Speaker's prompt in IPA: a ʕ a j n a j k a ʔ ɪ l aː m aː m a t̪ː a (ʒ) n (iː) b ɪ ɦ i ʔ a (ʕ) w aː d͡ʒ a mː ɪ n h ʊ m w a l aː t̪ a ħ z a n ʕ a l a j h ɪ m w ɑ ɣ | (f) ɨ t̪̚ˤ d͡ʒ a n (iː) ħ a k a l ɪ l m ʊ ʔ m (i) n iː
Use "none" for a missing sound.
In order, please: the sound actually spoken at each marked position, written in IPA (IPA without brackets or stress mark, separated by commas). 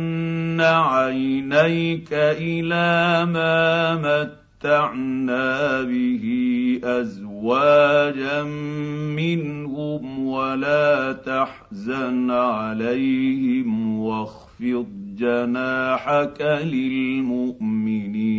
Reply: ʕ, aː, z, f, aː, ɪ